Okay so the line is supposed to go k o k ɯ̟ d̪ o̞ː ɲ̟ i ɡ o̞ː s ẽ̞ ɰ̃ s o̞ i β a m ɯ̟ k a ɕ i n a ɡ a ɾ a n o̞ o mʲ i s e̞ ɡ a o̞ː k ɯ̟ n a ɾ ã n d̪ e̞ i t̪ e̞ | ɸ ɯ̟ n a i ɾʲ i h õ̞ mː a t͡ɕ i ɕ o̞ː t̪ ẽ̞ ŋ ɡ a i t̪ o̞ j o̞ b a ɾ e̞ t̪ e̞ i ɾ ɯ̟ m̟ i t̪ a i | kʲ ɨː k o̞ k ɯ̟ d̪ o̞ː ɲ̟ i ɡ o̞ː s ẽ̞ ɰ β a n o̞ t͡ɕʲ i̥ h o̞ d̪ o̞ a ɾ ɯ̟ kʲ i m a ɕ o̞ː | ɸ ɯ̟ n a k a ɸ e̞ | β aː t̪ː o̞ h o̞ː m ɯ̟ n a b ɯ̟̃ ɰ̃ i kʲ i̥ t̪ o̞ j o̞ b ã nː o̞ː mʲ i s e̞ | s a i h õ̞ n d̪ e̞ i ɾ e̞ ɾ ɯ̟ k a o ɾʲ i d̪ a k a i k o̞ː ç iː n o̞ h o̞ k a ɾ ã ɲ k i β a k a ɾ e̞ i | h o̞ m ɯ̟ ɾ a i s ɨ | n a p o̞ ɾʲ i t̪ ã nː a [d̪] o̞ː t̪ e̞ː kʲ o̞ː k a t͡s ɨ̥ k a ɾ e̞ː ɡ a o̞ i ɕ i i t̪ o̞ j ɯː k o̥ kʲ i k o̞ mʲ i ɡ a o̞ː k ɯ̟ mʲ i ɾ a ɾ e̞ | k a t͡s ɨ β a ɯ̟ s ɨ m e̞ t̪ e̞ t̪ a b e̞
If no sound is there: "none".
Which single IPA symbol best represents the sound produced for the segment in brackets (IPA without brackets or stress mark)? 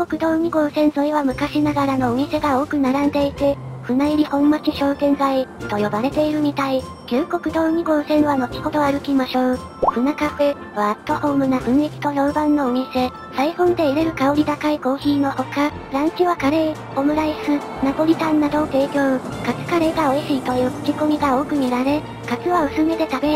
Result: d̪